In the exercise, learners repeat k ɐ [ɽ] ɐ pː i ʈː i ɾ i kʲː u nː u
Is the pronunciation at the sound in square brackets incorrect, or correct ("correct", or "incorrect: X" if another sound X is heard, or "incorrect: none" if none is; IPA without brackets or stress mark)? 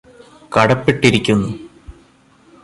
correct